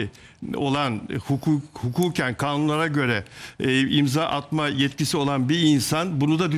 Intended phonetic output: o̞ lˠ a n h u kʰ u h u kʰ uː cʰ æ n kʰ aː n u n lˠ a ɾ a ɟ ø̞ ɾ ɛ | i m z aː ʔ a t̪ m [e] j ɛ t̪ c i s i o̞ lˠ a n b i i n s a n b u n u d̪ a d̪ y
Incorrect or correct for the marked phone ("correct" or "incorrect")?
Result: incorrect